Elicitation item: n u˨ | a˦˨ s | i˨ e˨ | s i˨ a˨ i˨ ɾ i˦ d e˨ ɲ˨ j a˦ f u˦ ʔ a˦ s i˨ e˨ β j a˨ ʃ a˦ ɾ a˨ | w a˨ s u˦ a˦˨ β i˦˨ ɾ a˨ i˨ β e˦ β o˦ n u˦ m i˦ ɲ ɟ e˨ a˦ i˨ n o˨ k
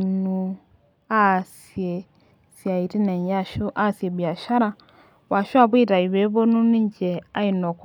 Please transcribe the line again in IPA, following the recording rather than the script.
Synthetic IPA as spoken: n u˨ | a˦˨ s | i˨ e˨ | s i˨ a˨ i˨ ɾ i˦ n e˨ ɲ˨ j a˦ ʃ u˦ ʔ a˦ s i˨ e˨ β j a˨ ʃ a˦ ɾ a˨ | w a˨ ʃ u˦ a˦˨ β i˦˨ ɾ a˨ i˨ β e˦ β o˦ n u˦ n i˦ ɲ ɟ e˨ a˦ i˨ n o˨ k